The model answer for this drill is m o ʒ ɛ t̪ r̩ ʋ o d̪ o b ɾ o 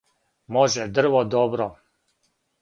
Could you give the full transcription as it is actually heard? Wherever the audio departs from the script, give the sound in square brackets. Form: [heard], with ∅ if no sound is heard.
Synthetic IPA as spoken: m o ʒ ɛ [d̪] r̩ ʋ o d̪ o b ɾ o

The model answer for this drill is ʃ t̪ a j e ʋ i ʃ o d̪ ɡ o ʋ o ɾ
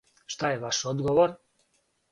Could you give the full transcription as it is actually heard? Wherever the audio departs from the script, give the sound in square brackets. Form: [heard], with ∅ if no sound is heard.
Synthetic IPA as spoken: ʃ t̪ a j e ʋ [a] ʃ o d̪ ɡ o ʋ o ɾ

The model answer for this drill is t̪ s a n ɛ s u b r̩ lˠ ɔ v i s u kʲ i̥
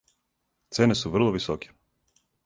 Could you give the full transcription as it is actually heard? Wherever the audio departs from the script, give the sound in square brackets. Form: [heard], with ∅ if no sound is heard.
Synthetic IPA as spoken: t̪ s [ɛ] n ɛ s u [v] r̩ lˠ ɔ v i s [ɔ] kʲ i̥

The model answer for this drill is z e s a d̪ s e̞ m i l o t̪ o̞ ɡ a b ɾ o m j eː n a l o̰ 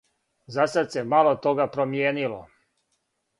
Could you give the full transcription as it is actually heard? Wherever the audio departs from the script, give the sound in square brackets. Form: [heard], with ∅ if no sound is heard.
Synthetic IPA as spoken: z [a] s a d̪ s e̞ m [a] l o t̪ o̞ ɡ a [p] ɾ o m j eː n [i] l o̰

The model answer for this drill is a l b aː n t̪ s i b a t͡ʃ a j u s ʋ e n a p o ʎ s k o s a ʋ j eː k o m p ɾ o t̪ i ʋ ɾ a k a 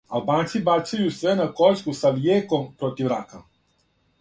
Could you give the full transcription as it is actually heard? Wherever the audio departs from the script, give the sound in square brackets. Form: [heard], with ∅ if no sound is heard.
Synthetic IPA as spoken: a l b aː n t̪ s i b a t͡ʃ a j u s ʋ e n a [k] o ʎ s k [u] s a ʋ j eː k o m p ɾ o t̪ i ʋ ɾ a k a

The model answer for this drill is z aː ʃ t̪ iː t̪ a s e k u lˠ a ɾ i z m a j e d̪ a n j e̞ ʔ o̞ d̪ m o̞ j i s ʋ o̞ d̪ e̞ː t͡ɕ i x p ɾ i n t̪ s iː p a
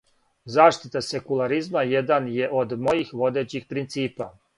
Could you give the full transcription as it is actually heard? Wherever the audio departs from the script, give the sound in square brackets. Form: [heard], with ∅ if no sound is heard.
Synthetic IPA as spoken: z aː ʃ t̪ [i] t̪ a s e k u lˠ a ɾ i z m a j e d̪ a n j e̞ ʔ o̞ d̪ m o̞ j i [x] ʋ o̞ d̪ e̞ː t͡ɕ i x p ɾ i n t̪ s iː p a

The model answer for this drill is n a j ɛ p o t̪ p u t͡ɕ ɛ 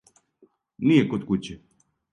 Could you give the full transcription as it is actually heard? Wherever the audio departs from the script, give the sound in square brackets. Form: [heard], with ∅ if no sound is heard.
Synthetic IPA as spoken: n [i] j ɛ [k] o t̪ [k] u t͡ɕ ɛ

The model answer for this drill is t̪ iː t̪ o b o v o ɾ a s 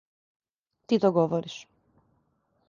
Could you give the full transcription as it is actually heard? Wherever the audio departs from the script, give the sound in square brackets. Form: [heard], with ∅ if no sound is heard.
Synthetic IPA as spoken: t̪ [i] t̪ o [ɡ] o v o ɾ [i] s

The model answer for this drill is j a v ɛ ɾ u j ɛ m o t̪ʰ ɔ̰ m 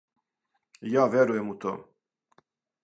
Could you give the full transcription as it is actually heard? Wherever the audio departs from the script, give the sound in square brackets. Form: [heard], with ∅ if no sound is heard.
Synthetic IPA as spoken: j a v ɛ ɾ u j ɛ m [u] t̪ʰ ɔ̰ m

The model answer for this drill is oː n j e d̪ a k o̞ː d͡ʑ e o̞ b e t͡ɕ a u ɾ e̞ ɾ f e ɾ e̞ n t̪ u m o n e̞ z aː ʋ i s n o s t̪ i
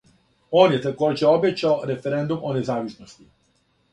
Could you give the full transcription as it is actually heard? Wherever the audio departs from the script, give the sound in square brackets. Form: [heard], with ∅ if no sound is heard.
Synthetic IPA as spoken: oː n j e [t̪] a k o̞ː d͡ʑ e o̞ b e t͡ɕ a [o] ɾ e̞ [∅] f e ɾ e̞ n [d̪] u m o n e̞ z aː ʋ i s n o s t̪ i

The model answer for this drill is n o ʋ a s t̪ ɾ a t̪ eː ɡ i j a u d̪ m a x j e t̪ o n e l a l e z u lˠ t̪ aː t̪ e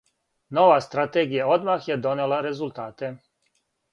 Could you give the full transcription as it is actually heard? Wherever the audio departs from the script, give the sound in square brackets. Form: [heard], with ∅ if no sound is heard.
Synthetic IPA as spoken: n o ʋ a s t̪ ɾ a t̪ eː ɡ i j a [o] d̪ m a x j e [d̪] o n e l a [ɾ] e z u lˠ t̪ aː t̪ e

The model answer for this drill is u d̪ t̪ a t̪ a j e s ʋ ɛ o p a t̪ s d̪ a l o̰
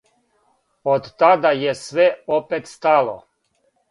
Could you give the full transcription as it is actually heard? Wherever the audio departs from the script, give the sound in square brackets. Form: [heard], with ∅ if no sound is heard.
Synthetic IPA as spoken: [o] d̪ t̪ a [d̪] a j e s ʋ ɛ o p [e] t̪ s [t̪] a l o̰

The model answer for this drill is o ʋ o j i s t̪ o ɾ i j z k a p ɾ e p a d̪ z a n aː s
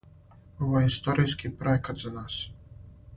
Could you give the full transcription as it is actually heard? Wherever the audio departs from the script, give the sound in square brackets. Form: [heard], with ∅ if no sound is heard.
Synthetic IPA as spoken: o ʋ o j i s t̪ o ɾ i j [s] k [i] p ɾ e [k] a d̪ z a n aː s

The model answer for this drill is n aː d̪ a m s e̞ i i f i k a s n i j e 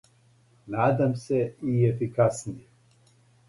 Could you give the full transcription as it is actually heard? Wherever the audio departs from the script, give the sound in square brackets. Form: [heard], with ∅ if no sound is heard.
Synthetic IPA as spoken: n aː d̪ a m s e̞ i [e] f i k a s n i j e

